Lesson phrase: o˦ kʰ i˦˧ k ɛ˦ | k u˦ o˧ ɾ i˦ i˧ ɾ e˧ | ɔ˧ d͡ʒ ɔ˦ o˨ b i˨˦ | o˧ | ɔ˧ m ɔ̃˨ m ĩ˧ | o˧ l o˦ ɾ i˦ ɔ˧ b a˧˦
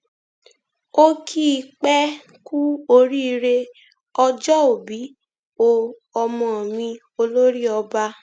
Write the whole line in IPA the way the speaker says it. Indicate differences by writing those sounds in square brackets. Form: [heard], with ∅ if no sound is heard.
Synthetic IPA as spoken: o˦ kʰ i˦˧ [k͡p] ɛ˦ | k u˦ o˧ ɾ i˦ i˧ ɾ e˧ | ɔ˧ d͡ʒ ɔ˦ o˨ b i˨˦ | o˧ | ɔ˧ m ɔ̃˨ m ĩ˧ | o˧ l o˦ ɾ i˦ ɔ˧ b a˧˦

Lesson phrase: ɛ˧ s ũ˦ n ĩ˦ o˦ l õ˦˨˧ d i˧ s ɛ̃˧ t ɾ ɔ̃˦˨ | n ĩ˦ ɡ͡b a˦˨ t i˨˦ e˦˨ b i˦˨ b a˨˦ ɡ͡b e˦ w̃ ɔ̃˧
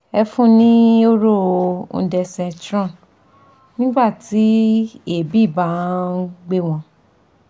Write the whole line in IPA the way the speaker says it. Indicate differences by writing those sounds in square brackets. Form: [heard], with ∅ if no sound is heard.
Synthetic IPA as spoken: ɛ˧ [f] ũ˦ n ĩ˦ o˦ [ɾ] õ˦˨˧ d [ɛ˧] s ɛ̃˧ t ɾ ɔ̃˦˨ | n ĩ˦ ɡ͡b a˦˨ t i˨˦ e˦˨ b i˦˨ b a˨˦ ɡ͡b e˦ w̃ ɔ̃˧

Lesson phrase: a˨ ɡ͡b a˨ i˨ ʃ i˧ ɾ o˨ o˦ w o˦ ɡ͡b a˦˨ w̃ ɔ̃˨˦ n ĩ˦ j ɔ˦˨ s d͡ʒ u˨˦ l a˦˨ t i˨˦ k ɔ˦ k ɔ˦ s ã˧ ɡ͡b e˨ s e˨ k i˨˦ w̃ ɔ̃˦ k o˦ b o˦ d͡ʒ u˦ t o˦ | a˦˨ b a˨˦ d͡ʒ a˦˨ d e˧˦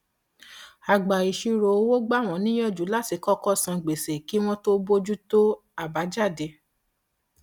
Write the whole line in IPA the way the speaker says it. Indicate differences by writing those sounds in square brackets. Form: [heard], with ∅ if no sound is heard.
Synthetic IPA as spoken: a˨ ɡ͡b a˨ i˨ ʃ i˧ ɾ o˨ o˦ w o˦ ɡ͡b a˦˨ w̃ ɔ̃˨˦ n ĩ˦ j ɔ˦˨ [∅] d͡ʒ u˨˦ l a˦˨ t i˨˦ k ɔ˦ k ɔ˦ s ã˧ ɡ͡b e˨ s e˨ k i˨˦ w̃ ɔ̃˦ [t] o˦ b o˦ d͡ʒ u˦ t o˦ | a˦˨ b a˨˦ d͡ʒ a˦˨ d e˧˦

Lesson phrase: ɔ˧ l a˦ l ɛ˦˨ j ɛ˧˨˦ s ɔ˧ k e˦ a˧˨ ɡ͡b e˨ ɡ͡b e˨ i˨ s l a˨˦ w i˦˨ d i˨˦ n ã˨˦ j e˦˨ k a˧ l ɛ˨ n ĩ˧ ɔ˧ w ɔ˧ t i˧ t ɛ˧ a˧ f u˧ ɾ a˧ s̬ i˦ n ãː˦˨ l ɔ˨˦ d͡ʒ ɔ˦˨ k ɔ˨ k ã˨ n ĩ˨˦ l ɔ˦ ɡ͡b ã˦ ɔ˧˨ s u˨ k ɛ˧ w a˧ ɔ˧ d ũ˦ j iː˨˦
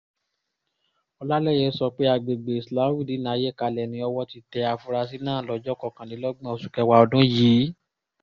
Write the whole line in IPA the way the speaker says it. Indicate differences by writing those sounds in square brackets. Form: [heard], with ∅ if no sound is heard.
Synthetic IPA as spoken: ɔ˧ l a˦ l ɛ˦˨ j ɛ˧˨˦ s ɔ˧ [k͡p] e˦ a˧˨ ɡ͡b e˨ ɡ͡b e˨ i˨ s l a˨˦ w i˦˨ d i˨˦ n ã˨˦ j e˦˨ k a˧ l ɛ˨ n ĩ˧ ɔ˧ w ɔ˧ t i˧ t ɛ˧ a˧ f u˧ ɾ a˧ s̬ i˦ n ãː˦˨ l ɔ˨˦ d͡ʒ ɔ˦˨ k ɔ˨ k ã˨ n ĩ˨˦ l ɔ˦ ɡ͡b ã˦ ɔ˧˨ s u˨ k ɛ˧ w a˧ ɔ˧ d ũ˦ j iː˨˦

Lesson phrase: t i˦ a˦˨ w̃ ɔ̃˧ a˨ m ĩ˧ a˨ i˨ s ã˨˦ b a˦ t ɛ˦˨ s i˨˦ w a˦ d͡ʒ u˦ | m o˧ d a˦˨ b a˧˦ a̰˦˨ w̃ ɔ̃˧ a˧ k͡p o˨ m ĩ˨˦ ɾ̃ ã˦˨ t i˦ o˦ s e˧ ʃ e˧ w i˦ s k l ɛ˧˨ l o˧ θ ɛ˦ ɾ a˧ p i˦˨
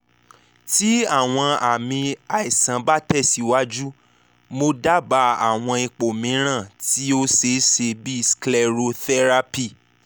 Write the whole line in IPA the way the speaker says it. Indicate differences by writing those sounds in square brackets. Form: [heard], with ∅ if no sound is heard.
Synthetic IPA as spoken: t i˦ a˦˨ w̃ ɔ̃˧ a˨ m ĩ˧ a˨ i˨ s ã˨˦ b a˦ t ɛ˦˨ s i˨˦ w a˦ d͡ʒ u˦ | m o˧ d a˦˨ b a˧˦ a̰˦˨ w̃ ɔ̃˧ [i˧] k͡p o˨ m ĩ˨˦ ɾ̃ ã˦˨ t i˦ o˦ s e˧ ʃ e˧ [b] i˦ s k l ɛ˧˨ [ɾ] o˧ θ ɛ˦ ɾ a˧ p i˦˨

